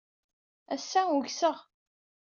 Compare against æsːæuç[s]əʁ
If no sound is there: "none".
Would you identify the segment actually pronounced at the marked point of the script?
s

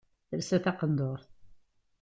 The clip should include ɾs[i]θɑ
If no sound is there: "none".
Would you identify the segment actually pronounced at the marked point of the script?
æ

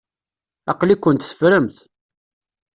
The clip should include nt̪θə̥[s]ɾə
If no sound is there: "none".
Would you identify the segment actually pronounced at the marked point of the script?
f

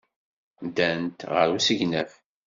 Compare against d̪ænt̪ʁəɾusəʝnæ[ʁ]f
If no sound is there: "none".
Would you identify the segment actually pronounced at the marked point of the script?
none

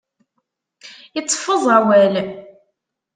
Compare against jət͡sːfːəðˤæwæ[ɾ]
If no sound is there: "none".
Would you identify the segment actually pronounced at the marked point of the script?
l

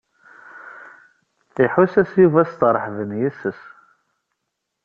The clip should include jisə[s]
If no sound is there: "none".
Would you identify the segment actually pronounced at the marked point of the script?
s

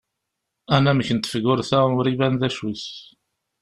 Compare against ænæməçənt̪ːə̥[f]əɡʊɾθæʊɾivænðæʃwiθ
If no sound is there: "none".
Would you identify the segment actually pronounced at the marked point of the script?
f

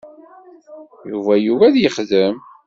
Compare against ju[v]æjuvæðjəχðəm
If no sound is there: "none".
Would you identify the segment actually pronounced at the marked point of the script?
v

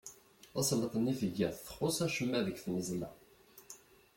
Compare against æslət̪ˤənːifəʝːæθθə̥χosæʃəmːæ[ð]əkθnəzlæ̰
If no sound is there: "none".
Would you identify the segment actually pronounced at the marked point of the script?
ð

